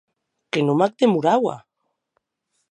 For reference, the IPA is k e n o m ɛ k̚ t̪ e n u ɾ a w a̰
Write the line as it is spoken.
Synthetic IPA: k e n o m a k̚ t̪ e m u ɾ a w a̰